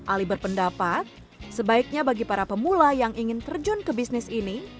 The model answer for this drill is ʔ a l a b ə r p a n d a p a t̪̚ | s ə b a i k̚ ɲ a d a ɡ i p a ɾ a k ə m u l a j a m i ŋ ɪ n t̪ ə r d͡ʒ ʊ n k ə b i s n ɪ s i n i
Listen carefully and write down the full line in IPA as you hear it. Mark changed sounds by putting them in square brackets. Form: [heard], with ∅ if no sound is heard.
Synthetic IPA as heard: ʔ a l [i] b ə r p [ə] n d a p a t̪̚ | s ə b a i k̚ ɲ a [b] a ɡ i p a ɾ a [p] ə m u l a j a [ŋ] i ŋ ɪ n t̪ ə r d͡ʒ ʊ n k ə b i s n ɪ s i n i